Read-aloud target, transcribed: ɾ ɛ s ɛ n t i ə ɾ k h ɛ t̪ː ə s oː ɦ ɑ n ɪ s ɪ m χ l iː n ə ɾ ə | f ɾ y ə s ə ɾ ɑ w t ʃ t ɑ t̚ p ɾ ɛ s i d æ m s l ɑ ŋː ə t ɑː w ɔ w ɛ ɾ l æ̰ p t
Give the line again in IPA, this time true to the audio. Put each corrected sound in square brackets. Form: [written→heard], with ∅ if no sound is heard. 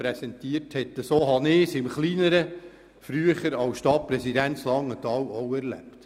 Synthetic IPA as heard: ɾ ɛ s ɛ n t i ə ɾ [k→t] h ɛ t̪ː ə s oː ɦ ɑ n ɪ s ɪ m χ l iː n ə ɾ ə | f ɾ y ə [s→χ] ə ɾ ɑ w [t→s] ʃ t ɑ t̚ p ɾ ɛ s i d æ [m→n] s l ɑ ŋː ə t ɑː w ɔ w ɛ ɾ l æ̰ p t